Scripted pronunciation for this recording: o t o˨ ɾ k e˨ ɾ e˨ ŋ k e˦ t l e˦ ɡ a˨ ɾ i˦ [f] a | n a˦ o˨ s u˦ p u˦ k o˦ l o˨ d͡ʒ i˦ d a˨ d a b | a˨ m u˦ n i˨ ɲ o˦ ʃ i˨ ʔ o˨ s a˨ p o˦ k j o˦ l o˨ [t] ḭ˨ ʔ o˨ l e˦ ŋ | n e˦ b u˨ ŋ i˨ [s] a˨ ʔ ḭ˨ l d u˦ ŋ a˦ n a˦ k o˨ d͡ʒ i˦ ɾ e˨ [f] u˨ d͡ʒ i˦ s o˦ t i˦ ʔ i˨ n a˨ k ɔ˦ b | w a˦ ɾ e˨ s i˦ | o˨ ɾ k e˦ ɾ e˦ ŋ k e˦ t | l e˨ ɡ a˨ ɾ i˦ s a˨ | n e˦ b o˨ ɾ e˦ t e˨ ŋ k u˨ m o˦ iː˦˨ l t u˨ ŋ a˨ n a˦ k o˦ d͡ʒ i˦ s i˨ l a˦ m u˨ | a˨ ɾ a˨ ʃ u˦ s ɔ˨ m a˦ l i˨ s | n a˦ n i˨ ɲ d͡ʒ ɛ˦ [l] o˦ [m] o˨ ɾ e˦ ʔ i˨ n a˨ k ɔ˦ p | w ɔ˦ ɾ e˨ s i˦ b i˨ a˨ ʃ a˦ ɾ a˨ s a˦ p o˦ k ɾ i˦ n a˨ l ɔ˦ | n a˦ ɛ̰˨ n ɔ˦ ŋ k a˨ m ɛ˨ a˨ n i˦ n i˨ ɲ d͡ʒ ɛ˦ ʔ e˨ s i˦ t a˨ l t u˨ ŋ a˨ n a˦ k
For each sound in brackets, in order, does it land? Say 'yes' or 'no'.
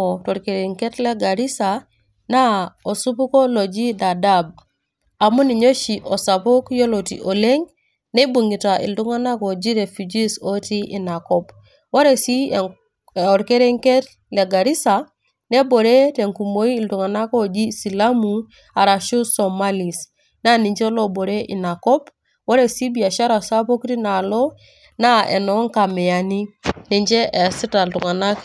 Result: no, yes, no, yes, yes, no

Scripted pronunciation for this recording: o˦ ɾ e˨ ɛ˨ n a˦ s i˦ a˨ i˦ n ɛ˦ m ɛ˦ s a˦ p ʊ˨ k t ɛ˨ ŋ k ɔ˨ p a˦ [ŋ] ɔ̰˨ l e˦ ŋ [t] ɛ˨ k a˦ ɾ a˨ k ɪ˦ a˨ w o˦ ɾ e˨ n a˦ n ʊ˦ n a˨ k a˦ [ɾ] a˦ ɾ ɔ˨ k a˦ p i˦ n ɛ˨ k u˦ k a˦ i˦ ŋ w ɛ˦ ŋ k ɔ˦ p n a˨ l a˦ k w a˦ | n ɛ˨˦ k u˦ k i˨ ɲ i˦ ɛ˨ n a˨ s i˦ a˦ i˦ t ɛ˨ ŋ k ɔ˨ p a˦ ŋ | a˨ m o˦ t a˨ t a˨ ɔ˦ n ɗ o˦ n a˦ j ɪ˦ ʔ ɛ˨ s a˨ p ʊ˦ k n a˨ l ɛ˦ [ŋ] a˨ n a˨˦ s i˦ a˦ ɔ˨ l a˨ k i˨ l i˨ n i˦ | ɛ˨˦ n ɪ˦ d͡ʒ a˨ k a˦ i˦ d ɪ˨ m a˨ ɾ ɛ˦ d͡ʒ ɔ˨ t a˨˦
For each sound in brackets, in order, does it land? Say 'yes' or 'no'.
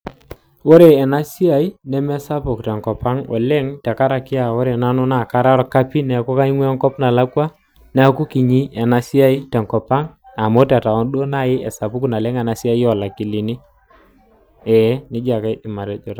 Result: yes, yes, yes, yes

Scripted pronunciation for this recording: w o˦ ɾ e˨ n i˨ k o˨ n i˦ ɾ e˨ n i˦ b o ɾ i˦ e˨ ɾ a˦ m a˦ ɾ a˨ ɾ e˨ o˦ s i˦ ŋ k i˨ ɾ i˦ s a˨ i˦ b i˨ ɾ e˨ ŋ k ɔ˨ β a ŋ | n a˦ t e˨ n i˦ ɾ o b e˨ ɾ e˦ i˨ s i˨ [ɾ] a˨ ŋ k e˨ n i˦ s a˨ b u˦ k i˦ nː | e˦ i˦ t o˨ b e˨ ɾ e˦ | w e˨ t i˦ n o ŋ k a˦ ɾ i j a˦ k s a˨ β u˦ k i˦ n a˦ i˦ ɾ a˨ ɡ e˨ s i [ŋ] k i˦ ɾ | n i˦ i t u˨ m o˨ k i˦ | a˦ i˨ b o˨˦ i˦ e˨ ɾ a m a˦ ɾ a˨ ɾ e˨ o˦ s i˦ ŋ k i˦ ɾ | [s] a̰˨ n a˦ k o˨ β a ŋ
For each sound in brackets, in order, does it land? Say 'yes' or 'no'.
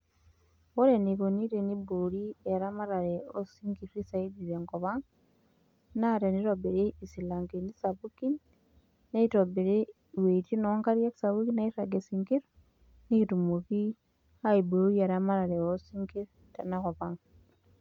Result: no, yes, no

